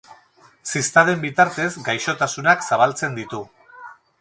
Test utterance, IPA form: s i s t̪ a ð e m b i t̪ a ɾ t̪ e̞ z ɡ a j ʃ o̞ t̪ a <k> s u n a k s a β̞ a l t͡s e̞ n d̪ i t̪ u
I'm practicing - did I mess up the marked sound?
yes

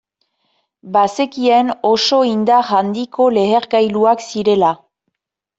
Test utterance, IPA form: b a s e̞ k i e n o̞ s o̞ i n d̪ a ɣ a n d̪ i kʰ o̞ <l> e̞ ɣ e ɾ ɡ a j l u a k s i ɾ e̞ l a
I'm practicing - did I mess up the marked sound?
no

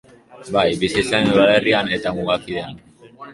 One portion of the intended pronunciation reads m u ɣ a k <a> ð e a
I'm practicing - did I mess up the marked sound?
yes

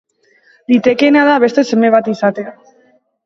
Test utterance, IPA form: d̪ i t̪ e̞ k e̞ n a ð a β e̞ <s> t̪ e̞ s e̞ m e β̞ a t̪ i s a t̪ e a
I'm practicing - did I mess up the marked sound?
no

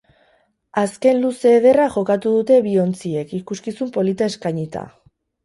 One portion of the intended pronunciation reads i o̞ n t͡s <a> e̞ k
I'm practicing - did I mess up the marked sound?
yes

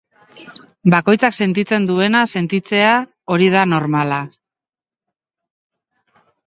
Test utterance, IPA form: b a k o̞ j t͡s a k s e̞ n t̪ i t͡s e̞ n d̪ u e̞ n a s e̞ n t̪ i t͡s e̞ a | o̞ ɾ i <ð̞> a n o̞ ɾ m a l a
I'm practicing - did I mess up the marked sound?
no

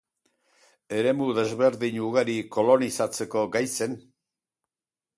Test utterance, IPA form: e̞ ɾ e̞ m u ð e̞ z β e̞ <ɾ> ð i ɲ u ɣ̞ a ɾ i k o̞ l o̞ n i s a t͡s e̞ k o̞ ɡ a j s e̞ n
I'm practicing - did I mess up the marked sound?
no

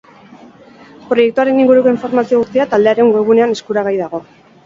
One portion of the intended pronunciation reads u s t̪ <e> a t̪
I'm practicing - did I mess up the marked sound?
yes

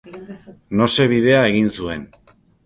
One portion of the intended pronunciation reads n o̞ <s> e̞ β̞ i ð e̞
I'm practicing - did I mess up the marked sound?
no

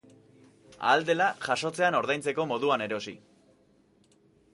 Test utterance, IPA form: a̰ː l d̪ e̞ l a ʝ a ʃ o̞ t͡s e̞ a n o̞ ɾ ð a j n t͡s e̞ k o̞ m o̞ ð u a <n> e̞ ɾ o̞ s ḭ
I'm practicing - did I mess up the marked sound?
no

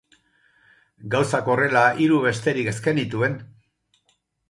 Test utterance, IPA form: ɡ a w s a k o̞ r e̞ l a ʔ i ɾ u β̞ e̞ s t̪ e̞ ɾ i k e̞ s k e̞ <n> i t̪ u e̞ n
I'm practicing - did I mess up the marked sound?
no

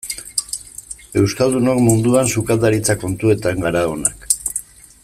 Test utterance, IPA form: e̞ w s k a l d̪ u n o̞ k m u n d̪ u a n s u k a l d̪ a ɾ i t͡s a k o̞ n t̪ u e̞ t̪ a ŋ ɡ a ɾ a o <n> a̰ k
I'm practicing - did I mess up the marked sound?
no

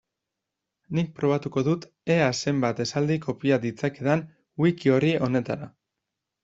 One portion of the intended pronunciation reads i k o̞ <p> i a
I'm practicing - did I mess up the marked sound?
no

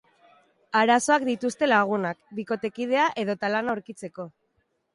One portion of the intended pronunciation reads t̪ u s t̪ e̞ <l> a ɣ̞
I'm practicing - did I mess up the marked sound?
no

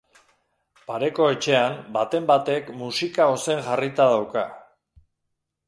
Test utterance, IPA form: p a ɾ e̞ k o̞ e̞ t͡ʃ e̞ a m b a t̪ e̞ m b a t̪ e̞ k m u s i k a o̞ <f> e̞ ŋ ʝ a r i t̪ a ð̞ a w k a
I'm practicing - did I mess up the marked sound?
yes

